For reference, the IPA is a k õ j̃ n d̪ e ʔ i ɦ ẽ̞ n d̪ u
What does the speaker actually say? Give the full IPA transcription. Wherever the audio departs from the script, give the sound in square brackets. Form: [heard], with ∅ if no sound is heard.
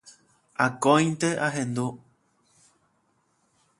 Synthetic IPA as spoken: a k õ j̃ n [t̪] e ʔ [a] ɦ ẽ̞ n d̪ u